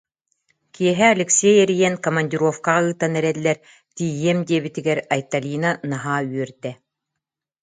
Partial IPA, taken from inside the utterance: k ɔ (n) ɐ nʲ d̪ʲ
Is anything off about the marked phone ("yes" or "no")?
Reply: yes